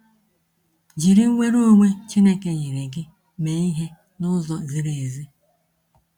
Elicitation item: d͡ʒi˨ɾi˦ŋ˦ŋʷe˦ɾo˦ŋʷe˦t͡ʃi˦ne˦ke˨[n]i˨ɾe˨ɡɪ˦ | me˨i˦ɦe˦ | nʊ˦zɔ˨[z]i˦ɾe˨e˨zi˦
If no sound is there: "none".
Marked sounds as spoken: ɲ, z

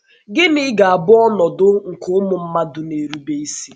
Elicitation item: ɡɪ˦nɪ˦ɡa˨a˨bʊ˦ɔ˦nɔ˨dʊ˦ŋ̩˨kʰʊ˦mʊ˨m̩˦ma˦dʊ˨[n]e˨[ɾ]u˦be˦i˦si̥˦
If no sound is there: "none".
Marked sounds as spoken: n, ɾ

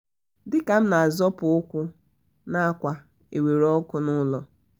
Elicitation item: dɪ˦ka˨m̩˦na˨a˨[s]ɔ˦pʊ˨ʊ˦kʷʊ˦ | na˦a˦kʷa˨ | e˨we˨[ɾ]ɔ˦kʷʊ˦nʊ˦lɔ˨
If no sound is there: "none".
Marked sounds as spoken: z, ɾ

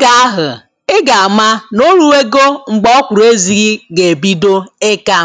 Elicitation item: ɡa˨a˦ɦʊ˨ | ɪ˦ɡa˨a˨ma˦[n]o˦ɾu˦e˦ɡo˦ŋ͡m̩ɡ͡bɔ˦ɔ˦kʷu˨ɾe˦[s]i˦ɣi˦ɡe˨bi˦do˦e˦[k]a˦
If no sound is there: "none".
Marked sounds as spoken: n, z, k

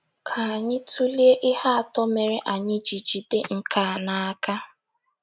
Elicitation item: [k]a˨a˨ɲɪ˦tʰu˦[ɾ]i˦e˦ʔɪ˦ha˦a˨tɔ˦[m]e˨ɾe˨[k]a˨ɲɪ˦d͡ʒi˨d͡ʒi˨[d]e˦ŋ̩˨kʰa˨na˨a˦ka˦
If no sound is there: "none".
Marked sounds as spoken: kʰ, l, m, ʔ, d

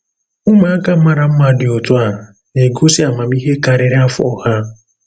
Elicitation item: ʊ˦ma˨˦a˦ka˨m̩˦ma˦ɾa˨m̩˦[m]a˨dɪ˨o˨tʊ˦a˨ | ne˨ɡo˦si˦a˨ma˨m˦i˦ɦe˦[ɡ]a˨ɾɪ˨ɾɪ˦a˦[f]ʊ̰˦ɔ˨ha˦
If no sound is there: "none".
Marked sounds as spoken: m, k, f

